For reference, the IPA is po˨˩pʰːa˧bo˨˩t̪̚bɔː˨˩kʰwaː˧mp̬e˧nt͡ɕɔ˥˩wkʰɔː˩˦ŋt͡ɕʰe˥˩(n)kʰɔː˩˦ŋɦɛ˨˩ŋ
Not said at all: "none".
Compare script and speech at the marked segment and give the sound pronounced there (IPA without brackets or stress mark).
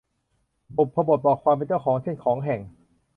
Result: n